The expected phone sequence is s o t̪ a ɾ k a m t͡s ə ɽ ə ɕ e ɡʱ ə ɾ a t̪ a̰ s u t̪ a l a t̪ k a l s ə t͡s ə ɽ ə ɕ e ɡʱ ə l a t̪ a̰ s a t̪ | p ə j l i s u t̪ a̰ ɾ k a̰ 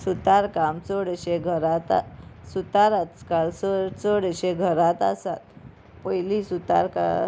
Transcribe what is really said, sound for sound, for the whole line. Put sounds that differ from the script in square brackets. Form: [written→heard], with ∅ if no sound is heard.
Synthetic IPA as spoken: s [o→u] t̪ a ɾ k a m t͡s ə ɽ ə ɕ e ɡʱ ə ɾ a t̪ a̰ s u t̪ a [l→ɾ] a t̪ k a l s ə t͡s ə ɽ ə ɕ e ɡʱ ə [l→ɾ] a t̪ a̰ s a t̪ | p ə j l i s u t̪ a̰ ɾ k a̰